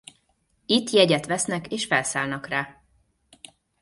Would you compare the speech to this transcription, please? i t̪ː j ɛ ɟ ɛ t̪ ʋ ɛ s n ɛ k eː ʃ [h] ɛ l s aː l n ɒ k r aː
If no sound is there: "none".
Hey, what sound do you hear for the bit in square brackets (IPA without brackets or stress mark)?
f